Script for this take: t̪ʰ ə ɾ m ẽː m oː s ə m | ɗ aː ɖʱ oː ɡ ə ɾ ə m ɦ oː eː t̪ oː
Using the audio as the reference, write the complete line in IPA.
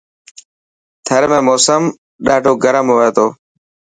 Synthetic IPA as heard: t̪ʰ ə ɾ m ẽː m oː s ə m | ɗ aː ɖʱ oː ɡ ə ɾ ə m ɦ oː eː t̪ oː